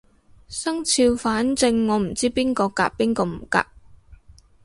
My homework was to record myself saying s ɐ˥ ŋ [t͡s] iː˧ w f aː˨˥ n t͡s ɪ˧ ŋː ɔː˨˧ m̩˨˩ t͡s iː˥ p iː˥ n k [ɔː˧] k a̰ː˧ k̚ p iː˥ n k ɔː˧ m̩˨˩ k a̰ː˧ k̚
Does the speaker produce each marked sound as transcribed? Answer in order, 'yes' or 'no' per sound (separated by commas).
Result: no, yes